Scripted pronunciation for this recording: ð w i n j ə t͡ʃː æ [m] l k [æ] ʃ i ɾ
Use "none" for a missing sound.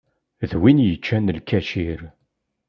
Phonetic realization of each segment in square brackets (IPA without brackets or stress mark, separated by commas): n, æ